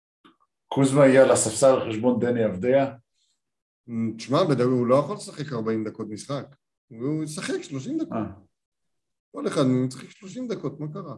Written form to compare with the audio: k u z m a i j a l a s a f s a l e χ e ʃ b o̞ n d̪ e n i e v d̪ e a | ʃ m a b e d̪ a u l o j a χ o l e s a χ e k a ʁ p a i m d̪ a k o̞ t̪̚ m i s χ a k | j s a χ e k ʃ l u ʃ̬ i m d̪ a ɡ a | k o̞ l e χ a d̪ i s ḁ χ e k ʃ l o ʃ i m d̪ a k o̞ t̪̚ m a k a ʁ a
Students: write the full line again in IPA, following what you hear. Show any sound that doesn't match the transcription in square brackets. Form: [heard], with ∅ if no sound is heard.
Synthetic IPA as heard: k u z m a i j a l a s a f s a l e χ e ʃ b o̞ n d̪ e n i [a] v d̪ e a | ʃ m a b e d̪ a u l o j a χ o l e s a χ e k a ʁ [b] a i m d̪ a k o̞ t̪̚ m i s χ a k | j s a χ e k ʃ l [o] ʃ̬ i m d̪ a [k] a | k o̞ l e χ a d̪ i s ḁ χ e k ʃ l o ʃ i m d̪ a k o̞ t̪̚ m a k a ʁ a